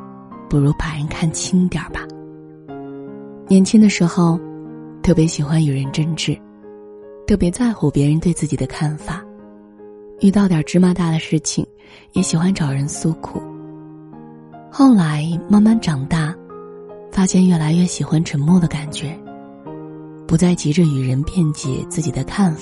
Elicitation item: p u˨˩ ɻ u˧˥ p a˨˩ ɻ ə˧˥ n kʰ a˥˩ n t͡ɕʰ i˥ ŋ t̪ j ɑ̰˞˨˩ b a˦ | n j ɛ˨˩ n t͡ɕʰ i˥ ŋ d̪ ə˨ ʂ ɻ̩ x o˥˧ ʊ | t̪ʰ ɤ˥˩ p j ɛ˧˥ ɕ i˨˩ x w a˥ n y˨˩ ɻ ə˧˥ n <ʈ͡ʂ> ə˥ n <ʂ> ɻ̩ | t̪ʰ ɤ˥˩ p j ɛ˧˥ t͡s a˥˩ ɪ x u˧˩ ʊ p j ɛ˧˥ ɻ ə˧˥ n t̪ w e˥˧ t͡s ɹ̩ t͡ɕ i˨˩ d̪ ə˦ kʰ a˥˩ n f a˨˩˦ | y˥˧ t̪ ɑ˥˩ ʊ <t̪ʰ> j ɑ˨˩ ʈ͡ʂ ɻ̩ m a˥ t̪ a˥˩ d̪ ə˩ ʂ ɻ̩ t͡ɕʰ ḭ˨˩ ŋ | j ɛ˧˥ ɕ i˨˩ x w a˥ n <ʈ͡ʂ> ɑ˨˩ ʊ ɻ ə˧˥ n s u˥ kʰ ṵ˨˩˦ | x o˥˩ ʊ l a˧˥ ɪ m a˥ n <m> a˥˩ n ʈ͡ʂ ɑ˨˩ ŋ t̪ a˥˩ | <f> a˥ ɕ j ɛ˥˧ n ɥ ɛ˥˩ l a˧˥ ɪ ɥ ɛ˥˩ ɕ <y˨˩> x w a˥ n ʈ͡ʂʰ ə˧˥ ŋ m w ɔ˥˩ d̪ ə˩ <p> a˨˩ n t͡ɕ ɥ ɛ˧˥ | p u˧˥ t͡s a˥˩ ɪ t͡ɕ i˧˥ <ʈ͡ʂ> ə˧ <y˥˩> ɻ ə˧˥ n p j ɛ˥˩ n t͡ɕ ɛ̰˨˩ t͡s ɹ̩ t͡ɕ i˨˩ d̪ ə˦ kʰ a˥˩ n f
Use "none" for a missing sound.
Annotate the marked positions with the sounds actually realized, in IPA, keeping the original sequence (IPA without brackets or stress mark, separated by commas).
ʈ͡ʂ, ʈ͡ʂ, t̪, ʈ͡ʂ, m, f, i˨˩, k, ʈ͡ʂ, y˨˩